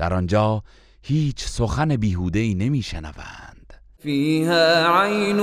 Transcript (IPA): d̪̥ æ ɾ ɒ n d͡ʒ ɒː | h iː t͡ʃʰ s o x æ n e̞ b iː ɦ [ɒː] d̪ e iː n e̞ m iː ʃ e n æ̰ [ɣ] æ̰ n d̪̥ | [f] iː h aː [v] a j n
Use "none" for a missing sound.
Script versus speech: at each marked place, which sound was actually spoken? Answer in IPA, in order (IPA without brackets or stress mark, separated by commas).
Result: uː, v, f, ʕ